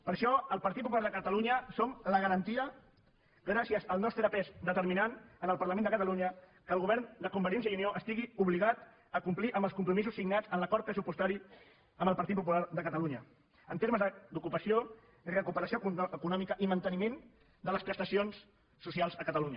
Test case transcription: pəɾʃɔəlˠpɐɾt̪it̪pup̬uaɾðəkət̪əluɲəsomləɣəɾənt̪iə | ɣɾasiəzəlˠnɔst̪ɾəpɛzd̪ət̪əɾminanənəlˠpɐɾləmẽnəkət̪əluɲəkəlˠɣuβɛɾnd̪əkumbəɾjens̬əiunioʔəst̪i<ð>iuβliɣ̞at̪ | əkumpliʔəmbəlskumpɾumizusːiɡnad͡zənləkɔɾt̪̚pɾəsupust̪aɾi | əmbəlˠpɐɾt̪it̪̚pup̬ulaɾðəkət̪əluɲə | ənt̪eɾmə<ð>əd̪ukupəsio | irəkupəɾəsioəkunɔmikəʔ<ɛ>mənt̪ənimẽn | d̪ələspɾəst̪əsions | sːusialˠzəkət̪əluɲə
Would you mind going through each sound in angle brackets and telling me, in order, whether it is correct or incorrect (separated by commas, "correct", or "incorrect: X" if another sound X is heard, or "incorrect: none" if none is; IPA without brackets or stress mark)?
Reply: incorrect: ɣ, incorrect: z, incorrect: i